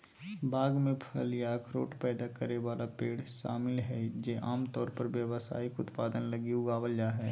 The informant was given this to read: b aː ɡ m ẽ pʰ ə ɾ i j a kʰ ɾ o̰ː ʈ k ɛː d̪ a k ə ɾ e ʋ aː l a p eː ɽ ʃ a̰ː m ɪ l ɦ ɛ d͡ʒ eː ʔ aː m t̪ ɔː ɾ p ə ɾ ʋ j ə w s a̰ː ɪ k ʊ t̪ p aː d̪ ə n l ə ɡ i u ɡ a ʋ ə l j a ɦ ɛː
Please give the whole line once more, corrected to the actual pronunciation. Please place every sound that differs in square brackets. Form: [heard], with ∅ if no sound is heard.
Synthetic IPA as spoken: b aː ɡ m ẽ pʰ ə [l] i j a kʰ ɾ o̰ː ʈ [p] ɛː d̪ a k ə ɾ e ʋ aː l a p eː ɽ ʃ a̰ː m ɪ l ɦ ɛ d͡ʒ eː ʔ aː m t̪ ɔː ɾ p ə ɾ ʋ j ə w s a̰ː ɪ k ʊ t̪ p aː d̪ ə n l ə ɡ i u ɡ a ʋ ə l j a ɦ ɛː